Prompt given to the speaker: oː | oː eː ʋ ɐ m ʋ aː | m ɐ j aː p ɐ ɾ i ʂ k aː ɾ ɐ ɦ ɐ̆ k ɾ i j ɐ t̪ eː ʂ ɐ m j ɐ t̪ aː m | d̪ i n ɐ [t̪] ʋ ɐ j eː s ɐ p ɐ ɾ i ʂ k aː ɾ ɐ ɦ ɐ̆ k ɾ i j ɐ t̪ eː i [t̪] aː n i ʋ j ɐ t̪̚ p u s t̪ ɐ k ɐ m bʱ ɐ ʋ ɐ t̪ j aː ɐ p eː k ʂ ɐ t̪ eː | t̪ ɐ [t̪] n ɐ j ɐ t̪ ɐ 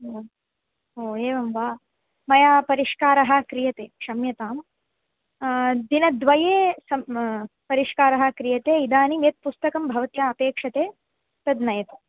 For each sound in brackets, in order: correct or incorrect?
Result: incorrect: d̪, incorrect: d̪, incorrect: d̪

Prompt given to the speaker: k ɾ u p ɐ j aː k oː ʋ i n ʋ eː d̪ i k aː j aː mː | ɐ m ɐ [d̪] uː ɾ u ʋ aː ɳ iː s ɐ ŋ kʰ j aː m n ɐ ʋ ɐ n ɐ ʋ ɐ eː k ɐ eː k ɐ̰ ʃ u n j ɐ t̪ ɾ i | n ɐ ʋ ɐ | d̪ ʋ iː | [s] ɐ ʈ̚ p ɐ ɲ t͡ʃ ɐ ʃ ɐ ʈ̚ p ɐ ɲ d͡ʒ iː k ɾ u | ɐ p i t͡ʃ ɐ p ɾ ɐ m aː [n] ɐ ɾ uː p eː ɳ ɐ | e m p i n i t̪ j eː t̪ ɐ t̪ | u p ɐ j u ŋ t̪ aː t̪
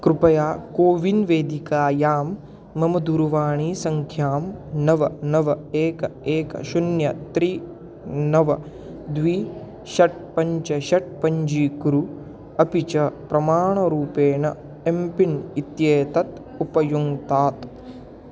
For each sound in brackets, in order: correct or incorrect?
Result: correct, incorrect: ʃ, incorrect: ɳ

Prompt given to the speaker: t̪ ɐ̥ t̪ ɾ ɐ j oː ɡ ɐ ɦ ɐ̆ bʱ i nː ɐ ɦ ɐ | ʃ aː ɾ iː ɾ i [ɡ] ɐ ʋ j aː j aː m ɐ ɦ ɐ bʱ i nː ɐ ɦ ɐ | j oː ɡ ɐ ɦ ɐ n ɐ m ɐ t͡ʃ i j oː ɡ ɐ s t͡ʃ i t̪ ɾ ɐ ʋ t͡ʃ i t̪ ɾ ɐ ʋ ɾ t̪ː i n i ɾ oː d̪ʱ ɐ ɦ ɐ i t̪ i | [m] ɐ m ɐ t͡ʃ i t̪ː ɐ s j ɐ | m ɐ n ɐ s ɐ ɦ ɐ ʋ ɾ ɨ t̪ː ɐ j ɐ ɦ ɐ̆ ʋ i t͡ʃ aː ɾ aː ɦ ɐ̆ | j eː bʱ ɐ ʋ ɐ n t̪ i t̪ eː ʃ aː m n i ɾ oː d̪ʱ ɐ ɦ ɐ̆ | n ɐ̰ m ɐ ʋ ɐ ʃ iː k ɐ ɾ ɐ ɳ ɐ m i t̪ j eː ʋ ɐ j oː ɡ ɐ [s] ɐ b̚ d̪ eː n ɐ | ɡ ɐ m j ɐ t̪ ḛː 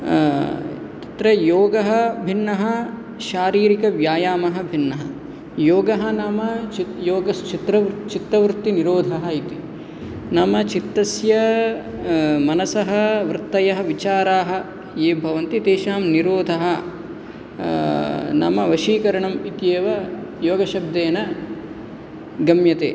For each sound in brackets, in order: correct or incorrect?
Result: incorrect: k, incorrect: n, incorrect: ʃ

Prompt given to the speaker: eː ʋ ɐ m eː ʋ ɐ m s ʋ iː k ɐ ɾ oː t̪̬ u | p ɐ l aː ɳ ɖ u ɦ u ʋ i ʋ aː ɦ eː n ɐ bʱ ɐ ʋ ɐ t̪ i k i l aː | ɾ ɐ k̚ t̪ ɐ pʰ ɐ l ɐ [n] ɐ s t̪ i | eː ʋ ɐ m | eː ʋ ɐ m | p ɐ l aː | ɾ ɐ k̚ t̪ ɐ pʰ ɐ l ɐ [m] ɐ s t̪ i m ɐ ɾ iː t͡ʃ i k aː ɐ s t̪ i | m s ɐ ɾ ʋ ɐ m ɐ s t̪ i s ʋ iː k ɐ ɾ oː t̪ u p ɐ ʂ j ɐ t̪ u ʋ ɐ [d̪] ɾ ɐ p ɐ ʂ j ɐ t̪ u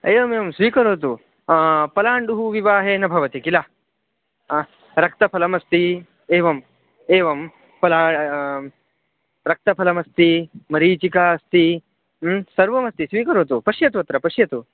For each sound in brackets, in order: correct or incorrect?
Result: incorrect: m, correct, incorrect: t̪

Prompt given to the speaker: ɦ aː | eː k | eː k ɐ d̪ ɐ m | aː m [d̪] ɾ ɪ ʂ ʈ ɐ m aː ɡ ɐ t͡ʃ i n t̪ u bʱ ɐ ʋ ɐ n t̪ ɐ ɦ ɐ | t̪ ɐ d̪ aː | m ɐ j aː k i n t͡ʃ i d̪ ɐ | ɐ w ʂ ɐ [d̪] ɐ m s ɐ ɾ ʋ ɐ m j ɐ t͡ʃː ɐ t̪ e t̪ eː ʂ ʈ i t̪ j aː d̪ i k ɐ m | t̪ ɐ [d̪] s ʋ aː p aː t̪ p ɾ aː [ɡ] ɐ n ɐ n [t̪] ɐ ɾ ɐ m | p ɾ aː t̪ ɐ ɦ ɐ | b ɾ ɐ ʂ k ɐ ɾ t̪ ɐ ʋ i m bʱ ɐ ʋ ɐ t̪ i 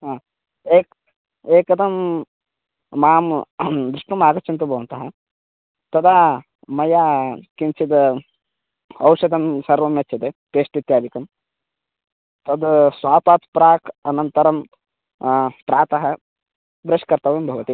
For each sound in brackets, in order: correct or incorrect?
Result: correct, correct, correct, incorrect: k, correct

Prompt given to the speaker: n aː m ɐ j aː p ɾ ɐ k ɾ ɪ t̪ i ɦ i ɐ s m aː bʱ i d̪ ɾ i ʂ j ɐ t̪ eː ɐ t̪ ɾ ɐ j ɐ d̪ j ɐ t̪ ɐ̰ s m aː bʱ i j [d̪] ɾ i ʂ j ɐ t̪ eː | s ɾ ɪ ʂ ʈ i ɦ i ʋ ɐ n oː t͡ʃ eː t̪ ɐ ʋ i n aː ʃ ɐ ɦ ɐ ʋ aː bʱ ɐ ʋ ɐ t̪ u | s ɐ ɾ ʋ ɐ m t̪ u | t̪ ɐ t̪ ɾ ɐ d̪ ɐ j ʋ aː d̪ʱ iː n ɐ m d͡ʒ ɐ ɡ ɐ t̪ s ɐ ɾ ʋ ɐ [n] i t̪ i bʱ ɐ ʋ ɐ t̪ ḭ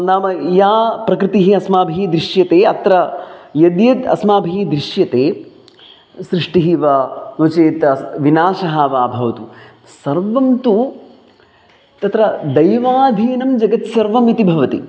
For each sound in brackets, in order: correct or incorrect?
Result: correct, incorrect: m

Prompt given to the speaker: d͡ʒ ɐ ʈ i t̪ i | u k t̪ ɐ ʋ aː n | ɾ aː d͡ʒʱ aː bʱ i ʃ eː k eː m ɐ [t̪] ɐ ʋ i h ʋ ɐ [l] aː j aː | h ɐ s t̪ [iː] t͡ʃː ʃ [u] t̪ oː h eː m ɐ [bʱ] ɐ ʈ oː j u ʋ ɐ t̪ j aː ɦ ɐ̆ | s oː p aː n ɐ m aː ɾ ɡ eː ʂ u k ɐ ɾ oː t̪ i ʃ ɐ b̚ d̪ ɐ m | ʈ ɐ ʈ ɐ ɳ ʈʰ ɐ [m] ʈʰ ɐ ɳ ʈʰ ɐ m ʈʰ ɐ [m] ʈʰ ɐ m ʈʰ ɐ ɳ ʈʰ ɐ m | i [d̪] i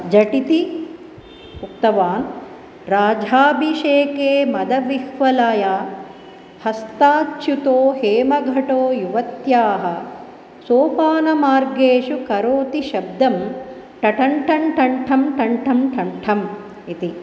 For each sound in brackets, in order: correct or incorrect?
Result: incorrect: d̪, correct, incorrect: aː, correct, incorrect: ɡʱ, incorrect: ɳ, incorrect: ɳ, incorrect: t̪

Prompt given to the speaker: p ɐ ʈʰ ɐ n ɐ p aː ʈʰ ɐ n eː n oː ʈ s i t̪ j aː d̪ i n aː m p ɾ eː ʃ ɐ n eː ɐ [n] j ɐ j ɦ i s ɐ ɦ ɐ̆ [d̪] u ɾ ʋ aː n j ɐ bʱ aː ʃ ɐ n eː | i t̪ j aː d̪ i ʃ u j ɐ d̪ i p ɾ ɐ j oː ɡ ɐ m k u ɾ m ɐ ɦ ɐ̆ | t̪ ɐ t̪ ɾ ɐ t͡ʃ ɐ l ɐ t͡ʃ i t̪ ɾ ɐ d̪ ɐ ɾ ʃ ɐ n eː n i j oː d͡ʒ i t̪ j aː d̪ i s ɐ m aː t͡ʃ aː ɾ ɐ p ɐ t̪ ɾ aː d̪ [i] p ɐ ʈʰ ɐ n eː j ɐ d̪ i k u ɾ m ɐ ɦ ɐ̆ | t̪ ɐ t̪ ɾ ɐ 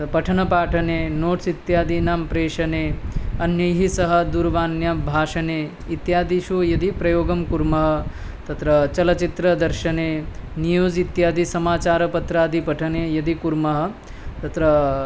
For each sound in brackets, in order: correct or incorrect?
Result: correct, correct, correct

